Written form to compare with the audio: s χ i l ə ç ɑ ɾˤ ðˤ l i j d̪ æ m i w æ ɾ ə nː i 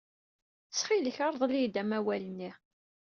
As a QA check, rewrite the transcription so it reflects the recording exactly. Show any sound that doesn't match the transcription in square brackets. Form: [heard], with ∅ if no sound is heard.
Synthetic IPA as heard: s χ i l ə ç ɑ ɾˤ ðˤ l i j d̪ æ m [æ] w æ [l] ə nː i